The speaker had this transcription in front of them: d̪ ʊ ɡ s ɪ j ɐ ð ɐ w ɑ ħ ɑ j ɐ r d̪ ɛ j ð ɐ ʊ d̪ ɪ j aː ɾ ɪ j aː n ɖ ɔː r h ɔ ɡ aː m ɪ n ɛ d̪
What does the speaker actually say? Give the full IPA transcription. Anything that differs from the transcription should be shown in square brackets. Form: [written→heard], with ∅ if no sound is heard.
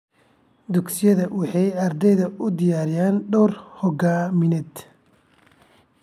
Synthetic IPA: d̪ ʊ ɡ s ɪ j ɐ ð ɐ w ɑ ħ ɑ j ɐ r d̪ ɛ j ð ɐ ʊ d̪ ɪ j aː ɾ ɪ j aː n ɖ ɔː r h ɔ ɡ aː m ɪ n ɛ d̪

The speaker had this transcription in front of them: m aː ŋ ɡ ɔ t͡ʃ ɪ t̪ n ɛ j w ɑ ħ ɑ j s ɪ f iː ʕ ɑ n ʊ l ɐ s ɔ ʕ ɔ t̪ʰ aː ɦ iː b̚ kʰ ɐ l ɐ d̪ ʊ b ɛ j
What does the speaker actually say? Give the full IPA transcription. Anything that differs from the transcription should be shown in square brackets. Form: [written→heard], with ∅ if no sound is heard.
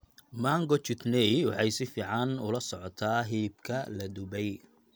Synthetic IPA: m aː ŋ ɡ ɔ t͡ʃ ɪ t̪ n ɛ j w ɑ ħ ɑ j s ɪ f iː ʕ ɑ n ʊ l ɐ s ɔ ʕ ɔ t̪ʰ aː ɦ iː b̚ kʰ ɐ l ɐ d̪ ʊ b ɛ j

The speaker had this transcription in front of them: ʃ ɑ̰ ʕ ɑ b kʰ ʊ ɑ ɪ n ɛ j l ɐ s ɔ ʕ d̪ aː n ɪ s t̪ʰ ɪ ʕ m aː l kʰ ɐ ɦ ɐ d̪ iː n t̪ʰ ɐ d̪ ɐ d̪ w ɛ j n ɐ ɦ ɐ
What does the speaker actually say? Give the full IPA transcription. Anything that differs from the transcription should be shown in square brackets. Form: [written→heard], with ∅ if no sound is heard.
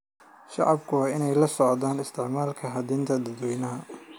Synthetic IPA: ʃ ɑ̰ ʕ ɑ b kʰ ʊ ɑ ɪ n ɛ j l ɐ s ɔ ʕ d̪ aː n ɪ s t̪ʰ ɪ ʕ m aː l kʰ ɐ ɦ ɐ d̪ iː n t̪ʰ ɐ d̪ ɐ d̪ w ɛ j n ɐ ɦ ɐ

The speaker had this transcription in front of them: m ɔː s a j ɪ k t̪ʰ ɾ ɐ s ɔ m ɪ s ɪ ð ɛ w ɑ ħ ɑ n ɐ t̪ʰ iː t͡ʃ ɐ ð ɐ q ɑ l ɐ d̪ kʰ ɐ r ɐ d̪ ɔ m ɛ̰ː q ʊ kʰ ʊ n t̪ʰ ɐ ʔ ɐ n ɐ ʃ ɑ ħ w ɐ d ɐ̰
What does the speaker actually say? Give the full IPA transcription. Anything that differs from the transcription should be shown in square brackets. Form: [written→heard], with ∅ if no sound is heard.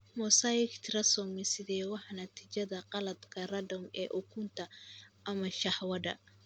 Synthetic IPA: m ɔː s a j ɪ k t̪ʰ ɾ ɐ s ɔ m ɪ s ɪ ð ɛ w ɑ ħ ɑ n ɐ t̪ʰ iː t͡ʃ ɐ ð ɐ q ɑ l ɐ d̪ kʰ ɐ r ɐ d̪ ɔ m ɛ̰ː [q→ʔ] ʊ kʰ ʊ n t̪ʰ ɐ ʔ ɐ [n→m] ɐ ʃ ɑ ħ w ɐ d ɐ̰

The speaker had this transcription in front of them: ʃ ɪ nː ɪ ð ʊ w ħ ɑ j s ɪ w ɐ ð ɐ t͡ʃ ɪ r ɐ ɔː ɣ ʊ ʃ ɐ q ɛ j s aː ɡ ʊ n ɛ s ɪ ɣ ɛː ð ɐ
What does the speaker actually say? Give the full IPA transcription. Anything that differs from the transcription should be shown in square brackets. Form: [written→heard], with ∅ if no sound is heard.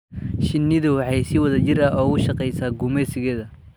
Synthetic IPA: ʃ ɪ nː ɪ ð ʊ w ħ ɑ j s ɪ w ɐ ð ɐ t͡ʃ ɪ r ɐ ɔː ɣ ʊ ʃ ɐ q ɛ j s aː ɡ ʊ [n→m] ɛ s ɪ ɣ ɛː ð ɐ

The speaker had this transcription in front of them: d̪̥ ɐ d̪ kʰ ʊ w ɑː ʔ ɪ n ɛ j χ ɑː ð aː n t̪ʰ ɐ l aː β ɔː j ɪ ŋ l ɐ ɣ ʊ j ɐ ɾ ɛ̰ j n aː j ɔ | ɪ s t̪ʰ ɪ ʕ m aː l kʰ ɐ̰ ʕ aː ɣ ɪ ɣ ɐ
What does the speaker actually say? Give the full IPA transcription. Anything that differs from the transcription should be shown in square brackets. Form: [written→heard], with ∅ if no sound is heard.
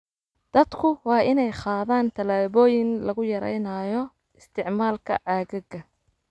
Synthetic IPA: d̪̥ ɐ d̪ kʰ ʊ w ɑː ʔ ɪ n ɛ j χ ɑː ð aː n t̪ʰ ɐ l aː β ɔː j ɪ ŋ l ɐ ɣ ʊ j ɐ ɾ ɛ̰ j n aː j ɔ | ɪ s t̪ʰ ɪ ʕ m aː l kʰ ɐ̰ ʕ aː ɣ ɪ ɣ ɐ

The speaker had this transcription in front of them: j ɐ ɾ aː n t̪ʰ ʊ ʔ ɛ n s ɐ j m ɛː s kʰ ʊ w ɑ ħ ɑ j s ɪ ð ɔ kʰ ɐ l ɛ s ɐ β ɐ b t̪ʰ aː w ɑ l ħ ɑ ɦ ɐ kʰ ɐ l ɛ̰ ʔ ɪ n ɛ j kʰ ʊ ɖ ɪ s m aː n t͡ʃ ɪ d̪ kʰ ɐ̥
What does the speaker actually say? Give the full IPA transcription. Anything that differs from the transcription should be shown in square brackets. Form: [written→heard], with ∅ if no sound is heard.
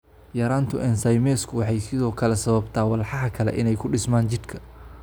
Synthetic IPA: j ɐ ɾ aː n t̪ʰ ʊ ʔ ɛ n s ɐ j m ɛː s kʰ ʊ w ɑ ħ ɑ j s ɪ ð [ɔ→ɔː] kʰ ɐ l ɛ s ɐ β ɐ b t̪ʰ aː w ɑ l ħ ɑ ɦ ɐ kʰ ɐ l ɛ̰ ʔ ɪ n ɛ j kʰ ʊ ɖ ɪ s m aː n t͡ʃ ɪ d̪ kʰ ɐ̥

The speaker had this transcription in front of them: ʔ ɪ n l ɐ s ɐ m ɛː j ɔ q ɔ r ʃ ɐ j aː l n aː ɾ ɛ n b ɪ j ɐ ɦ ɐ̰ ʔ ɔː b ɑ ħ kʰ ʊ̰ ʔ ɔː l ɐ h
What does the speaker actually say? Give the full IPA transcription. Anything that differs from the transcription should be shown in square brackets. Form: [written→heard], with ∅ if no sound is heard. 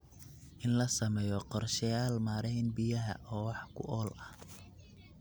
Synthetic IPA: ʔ ɪ n l ɐ s ɐ m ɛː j ɔ q ɔ r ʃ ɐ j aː l [n→m] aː ɾ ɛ n b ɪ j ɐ ɦ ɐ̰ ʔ ɔː [b→w] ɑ ħ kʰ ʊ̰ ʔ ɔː l ɐ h

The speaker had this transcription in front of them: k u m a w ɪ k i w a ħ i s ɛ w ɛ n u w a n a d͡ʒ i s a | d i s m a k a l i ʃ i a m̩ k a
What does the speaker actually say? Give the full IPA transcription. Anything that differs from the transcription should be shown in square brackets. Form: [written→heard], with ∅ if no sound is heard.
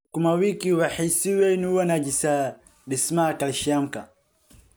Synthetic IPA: k u m a w [ɪ→i] k i w a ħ i s [ɛ→i] w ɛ n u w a n a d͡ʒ i s a | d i s m a k a l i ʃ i a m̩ k a

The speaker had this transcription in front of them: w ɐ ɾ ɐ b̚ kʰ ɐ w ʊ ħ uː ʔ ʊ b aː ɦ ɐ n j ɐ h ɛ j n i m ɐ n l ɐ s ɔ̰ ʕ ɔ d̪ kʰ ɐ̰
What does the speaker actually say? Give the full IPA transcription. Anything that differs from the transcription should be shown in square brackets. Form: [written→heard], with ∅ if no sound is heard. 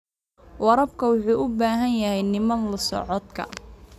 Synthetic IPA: w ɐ ɾ ɐ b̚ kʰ ɐ w ʊ ħ uː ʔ ʊ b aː ɦ ɐ n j ɐ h ɛ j n [i→ɪ] m ɐ n l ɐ s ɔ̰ ʕ ɔ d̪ kʰ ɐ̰

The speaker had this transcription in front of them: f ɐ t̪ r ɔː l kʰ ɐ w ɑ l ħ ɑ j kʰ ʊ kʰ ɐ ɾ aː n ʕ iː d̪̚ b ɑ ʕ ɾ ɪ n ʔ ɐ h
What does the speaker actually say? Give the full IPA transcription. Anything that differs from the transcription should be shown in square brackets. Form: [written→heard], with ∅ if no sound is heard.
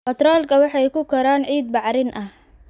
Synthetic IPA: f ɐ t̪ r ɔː l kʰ ɐ w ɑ [l→∅] ħ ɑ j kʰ ʊ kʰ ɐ ɾ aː n ʕ iː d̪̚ b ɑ ʕ ɾ ɪ n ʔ ɐ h

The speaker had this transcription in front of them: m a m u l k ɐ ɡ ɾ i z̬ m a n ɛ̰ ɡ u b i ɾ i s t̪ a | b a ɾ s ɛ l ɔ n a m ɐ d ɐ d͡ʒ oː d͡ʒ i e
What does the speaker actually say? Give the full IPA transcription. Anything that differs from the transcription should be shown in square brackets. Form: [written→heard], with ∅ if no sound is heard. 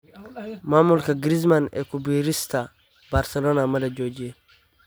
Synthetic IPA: m a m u l k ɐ ɡ ɾ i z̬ m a n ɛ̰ [ɡ→k] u b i ɾ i s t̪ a | b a ɾ s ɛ l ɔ n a m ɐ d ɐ d͡ʒ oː d͡ʒ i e

